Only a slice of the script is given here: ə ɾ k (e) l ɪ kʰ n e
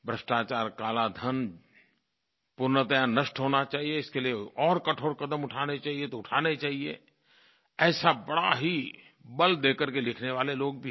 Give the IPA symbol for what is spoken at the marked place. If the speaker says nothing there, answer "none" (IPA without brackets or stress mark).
e